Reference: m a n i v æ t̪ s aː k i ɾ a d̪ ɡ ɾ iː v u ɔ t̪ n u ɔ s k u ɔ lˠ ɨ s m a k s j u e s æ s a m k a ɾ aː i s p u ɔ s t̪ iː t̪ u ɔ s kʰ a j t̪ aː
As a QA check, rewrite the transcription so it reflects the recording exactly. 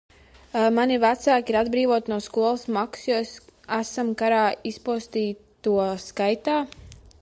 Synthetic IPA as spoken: m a n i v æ t̪ s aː k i ɾ a d̪ b ɾ iː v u ɔ t̪ n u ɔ s k u ɔ lˠ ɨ s m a k s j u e s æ s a m k a ɾ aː i s p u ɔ s t̪ iː t̪ u ɔ s k a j t̪ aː